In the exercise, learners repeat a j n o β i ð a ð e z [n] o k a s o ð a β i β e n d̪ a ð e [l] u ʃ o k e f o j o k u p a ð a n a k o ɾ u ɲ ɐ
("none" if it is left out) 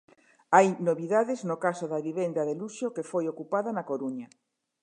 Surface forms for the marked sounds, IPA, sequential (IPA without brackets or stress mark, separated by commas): n, l